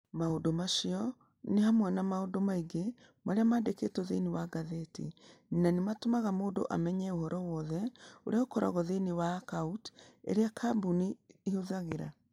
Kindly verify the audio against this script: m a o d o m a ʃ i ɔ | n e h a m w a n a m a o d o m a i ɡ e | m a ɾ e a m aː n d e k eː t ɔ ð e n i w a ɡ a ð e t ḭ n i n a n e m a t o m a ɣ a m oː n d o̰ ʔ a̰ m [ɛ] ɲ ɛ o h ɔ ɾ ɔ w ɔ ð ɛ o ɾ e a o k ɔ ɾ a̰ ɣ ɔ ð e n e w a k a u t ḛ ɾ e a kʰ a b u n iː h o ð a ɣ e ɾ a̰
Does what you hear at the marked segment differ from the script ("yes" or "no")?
no